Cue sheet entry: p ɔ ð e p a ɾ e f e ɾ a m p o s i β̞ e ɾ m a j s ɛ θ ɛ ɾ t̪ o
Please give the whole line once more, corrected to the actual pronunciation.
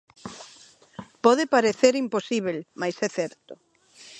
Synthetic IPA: p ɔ ð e p a ɾ e θ e ɾ i m p o s i β̞ e l m a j s ɛ θ ɛ ɾ t̪ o